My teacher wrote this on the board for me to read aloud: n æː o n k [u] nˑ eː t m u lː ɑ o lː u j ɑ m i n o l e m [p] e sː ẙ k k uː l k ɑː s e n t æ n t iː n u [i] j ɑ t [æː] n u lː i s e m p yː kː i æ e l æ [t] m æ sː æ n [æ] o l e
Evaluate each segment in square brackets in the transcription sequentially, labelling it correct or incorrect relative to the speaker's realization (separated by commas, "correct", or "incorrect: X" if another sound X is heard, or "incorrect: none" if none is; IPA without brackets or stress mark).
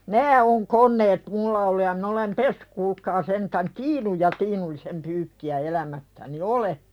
incorrect: o, correct, incorrect: j, incorrect: iː, incorrect: none, incorrect: i